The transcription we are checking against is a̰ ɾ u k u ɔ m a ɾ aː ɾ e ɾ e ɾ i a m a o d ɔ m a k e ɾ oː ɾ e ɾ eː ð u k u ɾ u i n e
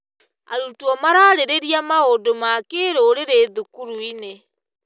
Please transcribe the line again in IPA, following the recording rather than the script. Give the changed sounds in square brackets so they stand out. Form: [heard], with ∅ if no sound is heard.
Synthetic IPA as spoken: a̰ ɾ u [t] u ɔ m a ɾ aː ɾ e ɾ e ɾ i a m a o d [o] m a k e ɾ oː ɾ e ɾ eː ð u k u ɾ u i n e

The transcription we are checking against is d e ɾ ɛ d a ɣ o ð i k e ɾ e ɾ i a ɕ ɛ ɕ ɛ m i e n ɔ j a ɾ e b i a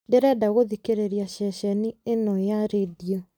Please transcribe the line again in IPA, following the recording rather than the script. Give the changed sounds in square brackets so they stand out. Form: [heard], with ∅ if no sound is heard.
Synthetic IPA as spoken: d e ɾ ɛ d a ɣ o ð i k e ɾ e ɾ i a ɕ ɛ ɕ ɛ [n] i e n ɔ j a ɾ e [d] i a

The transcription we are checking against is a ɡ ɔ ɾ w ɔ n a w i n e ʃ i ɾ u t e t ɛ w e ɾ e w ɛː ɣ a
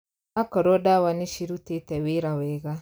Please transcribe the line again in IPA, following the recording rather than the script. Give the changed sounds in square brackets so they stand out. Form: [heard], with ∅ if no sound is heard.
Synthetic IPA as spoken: a [k] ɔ ɾ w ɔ [d] a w [a] n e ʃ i ɾ u t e t ɛ w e ɾ [a] w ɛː ɣ a

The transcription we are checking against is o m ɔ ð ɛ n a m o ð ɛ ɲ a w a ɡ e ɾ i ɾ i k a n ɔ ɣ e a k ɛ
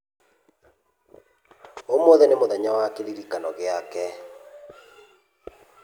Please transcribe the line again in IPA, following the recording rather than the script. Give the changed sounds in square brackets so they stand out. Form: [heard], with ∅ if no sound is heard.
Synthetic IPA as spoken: o m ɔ ð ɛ n [e] m o ð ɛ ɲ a w a [k] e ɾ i ɾ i k a n ɔ ɣ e a k ɛ

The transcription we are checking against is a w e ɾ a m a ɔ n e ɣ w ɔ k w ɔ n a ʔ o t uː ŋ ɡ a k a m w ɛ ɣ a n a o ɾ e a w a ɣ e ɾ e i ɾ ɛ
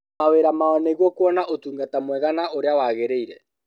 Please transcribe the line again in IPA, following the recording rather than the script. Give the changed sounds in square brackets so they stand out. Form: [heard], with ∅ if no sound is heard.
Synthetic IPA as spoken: a w e ɾ a m a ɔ n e ɣ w ɔ k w ɔ n a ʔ o t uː ŋ ɡ a [t] a m w ɛ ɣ a n a o ɾ e a w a ɣ e ɾ e i ɾ ɛ

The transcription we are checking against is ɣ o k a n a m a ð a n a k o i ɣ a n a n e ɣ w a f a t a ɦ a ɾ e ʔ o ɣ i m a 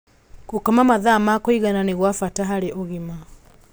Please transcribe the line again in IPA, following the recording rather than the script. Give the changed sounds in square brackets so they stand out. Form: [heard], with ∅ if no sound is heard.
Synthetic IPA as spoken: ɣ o k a [m] a m a ð a [m] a k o i ɣ a n a n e ɣ w a f a t a ɦ a ɾ e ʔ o ɣ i m a

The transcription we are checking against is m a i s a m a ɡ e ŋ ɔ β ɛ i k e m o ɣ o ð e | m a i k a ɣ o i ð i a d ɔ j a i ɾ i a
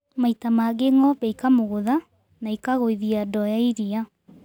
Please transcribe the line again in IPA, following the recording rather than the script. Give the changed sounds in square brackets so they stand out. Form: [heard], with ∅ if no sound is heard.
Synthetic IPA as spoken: m a i [t] a m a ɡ e ŋ ɔ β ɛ i k [a] m o ɣ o ð [a] | [n] a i k a ɣ o i ð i a d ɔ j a i ɾ i a

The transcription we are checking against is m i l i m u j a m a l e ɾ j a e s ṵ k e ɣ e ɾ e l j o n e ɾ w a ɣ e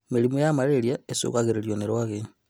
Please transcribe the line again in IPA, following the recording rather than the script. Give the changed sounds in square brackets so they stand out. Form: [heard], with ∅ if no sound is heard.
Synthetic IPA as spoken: m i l i m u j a m a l e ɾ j a e s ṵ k [a] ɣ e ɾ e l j o n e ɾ w a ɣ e

